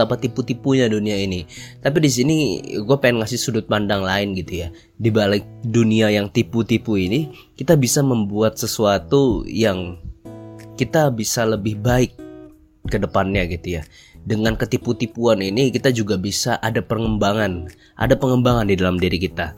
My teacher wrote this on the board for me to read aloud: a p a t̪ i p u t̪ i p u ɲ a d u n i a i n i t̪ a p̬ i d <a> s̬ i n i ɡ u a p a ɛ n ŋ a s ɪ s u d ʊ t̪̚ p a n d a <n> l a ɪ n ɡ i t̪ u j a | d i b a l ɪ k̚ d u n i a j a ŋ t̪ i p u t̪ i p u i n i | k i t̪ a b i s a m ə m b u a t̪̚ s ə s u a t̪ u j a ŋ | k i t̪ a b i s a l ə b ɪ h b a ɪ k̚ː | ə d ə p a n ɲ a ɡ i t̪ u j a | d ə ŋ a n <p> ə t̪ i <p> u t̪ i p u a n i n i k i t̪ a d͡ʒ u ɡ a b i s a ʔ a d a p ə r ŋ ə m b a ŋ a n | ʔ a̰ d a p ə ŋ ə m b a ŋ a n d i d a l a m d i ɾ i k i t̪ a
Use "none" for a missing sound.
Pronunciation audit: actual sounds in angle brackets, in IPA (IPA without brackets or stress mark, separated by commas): i, ŋ, k, p